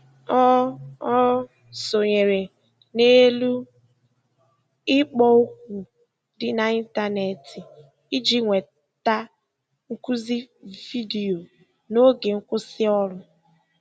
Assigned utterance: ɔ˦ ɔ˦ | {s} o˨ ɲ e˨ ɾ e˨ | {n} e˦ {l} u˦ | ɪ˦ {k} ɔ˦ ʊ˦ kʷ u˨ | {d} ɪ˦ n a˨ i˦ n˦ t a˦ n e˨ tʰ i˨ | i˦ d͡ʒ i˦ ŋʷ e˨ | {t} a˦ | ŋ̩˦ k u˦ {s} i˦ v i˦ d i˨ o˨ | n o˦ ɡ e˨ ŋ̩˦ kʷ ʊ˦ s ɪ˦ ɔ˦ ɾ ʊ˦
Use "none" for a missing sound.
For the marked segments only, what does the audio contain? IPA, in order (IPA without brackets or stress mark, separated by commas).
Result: s, n, l, k͡p, d, t, z